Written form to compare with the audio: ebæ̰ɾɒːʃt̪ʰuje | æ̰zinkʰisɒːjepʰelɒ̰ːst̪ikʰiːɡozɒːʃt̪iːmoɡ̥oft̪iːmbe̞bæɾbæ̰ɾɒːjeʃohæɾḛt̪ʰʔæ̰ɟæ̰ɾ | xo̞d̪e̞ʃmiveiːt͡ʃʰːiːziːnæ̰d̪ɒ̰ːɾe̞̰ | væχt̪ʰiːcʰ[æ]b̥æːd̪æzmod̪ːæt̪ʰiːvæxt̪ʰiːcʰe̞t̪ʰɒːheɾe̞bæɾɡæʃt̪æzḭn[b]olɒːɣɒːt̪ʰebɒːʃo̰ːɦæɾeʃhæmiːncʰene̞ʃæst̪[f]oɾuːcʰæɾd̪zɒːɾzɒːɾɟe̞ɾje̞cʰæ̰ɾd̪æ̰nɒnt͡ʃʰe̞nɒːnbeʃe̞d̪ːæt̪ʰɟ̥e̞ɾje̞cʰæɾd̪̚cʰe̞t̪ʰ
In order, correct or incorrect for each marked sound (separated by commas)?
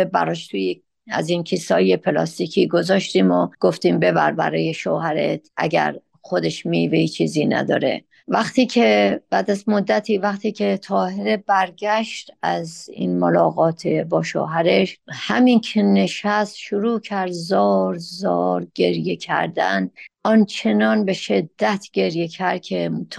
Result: incorrect, incorrect, incorrect